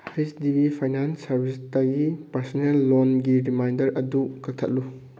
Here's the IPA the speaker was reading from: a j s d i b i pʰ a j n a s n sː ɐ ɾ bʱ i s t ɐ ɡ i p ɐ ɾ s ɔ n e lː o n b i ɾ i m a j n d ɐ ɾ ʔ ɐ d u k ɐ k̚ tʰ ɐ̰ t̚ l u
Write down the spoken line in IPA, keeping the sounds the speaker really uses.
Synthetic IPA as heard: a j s d i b i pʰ a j n a n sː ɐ ɾ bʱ i s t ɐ ɡ i p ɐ ɾ s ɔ n e lː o n ɡ i ɾ i m a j n d ɐ ɾ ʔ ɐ d u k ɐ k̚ tʰ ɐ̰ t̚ l u